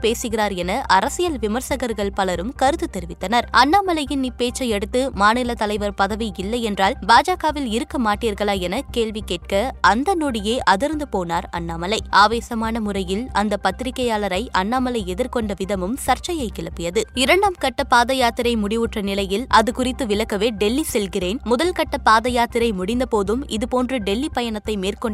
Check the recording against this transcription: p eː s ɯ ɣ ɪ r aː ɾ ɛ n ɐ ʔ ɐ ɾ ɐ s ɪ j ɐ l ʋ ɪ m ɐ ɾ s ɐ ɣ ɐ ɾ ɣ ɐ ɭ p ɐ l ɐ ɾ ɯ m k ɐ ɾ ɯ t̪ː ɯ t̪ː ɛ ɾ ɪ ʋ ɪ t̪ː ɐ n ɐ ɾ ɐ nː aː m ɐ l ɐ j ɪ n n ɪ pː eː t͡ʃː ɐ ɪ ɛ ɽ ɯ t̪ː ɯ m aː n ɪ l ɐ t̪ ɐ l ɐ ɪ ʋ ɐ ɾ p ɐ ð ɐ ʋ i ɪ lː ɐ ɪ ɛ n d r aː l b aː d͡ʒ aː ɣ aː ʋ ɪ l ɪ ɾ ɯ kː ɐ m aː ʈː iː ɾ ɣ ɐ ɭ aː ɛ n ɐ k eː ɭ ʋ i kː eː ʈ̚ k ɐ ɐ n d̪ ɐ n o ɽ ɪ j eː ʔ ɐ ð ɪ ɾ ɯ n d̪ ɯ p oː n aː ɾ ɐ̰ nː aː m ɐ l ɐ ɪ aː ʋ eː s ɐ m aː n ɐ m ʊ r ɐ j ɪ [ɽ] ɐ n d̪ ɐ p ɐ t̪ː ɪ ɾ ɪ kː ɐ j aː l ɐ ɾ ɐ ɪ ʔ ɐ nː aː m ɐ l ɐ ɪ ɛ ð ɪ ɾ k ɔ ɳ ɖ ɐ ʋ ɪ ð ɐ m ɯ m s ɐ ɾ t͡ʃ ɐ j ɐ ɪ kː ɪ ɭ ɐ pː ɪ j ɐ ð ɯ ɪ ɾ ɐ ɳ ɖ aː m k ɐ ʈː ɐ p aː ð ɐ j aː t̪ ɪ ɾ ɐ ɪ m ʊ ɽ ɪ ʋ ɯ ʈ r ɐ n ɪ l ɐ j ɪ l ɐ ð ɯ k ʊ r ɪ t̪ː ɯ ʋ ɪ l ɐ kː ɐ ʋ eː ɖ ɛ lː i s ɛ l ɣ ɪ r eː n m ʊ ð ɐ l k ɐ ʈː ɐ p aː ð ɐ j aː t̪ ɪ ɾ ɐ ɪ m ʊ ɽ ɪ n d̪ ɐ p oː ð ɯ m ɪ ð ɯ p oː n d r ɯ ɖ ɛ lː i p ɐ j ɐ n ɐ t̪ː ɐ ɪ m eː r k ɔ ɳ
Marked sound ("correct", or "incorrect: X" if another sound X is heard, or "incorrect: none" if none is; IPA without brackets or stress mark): incorrect: l